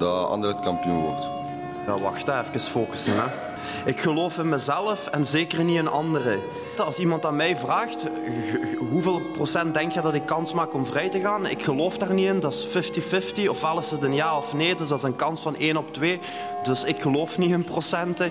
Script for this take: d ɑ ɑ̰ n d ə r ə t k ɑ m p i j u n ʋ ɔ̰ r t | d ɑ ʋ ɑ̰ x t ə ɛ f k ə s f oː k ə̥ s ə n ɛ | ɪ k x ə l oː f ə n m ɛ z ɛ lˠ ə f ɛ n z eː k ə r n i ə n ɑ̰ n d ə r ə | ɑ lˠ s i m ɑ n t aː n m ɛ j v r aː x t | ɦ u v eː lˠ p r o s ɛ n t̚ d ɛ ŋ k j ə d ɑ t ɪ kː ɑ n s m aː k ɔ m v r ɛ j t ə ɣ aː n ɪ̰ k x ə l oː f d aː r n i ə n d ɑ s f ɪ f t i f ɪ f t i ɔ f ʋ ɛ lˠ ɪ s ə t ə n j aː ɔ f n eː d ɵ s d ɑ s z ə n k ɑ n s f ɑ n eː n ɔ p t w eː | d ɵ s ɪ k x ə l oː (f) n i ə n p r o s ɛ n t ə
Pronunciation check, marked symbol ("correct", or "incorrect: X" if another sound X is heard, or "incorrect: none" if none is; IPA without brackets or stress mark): correct